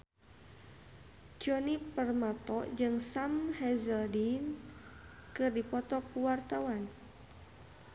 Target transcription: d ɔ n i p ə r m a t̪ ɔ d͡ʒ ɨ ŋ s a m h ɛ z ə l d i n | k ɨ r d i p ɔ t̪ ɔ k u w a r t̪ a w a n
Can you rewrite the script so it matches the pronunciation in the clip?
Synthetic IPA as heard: d͡ʒ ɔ n i p ə r m a t̪ ɔ d͡ʒ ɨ ŋ s a m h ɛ z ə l d i n | k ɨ r d i p ɔ t̪ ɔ k u w a r t̪ a w a n